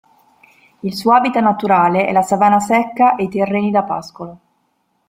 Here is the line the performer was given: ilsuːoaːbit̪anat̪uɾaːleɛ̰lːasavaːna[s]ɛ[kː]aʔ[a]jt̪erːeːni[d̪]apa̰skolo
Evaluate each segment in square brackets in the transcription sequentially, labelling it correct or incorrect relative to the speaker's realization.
correct, correct, incorrect: e, correct

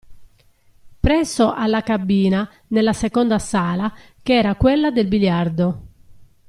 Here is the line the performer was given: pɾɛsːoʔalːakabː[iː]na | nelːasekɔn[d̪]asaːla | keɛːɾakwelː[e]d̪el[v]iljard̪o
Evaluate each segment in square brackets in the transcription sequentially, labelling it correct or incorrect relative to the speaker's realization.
correct, correct, incorrect: a, incorrect: b

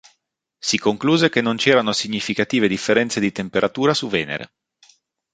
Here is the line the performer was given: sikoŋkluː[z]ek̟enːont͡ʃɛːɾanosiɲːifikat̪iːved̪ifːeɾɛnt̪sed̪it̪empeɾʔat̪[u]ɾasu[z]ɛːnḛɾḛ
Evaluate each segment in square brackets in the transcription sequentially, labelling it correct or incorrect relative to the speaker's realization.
correct, incorrect: uː, incorrect: v

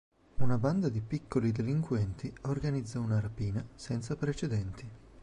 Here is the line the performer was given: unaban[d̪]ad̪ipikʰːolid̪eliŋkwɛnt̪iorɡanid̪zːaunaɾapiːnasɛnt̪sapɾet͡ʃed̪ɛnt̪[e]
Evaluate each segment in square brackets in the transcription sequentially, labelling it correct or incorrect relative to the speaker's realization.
correct, incorrect: i

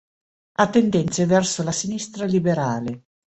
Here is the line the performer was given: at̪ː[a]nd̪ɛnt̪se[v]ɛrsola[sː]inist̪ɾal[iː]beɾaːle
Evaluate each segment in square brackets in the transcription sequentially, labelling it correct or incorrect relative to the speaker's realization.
incorrect: e, correct, incorrect: s, incorrect: i

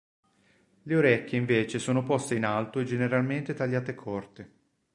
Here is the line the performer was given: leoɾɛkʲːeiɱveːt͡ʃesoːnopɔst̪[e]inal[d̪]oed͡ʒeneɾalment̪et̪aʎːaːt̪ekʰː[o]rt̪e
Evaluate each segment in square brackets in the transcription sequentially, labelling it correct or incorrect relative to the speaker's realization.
correct, incorrect: t̪, incorrect: ɔ

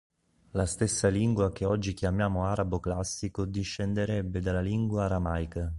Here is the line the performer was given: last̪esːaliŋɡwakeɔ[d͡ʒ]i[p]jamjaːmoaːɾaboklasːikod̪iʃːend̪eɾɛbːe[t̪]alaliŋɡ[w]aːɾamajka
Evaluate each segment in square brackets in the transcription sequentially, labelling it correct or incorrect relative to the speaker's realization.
incorrect: d͡ʒː, incorrect: k, incorrect: d̪, correct

